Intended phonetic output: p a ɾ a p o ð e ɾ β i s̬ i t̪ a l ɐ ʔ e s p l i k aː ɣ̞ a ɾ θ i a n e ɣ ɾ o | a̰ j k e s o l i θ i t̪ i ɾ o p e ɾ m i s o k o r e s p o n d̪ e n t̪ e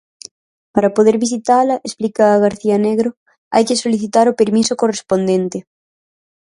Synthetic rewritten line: p a ɾ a p o ð e ɾ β i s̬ i t̪ a l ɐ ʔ e s p l i k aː ɣ̞ a ɾ θ i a n e ɣ ɾ o | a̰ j k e s o l i θ i t̪ a ɾ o p e ɾ m i s o k o r e s p o n d̪ e n t̪ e